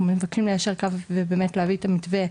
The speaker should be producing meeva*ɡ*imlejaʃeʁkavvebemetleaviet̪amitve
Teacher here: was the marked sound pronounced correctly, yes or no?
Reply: no